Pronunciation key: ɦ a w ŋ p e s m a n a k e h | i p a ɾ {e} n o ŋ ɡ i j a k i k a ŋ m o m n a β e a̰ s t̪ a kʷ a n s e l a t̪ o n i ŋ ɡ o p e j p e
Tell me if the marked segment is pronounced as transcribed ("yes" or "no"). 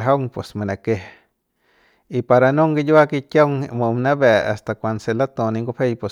no